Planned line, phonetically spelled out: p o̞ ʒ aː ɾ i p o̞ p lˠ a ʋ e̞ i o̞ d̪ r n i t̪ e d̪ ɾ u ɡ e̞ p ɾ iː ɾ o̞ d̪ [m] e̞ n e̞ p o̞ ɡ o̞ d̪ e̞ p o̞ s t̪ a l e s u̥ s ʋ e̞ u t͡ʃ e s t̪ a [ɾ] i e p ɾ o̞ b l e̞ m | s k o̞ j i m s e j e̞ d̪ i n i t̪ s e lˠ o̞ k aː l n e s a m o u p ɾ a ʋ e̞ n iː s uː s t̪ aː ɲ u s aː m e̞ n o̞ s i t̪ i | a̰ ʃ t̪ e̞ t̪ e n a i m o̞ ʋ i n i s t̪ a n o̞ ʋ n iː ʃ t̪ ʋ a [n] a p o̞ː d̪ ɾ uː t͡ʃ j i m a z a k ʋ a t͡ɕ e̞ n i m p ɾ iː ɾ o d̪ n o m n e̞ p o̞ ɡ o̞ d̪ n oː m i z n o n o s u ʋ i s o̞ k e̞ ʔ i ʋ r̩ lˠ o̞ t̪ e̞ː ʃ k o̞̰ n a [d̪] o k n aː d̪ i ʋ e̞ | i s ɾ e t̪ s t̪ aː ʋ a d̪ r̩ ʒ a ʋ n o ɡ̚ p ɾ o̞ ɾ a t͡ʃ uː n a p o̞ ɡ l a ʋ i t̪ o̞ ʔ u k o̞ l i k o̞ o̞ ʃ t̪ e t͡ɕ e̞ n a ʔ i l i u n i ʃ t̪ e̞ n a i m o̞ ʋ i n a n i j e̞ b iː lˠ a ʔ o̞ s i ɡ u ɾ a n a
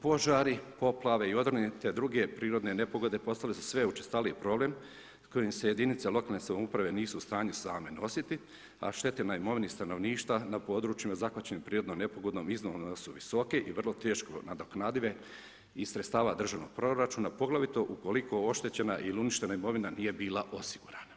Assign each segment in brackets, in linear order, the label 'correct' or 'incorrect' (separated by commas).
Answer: incorrect, incorrect, correct, correct